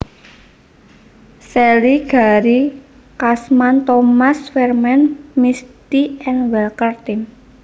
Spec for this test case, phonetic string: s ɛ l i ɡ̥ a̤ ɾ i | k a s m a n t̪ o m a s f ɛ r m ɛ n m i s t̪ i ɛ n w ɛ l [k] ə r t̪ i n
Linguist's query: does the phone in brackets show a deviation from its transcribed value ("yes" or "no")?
no